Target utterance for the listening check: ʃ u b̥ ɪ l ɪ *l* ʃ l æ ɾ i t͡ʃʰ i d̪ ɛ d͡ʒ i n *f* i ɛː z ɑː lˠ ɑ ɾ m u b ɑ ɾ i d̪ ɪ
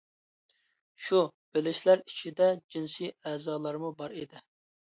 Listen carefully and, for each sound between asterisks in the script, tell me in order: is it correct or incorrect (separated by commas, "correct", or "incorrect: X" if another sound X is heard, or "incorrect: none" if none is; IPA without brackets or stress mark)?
incorrect: none, incorrect: s